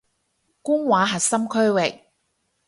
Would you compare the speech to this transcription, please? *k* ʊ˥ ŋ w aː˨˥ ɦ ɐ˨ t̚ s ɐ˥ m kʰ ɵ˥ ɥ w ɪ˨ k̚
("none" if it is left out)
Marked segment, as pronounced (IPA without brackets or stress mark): k